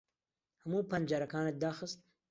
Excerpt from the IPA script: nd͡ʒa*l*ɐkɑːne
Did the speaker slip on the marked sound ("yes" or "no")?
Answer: yes